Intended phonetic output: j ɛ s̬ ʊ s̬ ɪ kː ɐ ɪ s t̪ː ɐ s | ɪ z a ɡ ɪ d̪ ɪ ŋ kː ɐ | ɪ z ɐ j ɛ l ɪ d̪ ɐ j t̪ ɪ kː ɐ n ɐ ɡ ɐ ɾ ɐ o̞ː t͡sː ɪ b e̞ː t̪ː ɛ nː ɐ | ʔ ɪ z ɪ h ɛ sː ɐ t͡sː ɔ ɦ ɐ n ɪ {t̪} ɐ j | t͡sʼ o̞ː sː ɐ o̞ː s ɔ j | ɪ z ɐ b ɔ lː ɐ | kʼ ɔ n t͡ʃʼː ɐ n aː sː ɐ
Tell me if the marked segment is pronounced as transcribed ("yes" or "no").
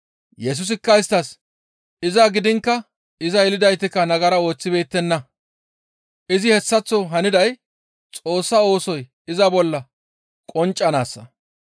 no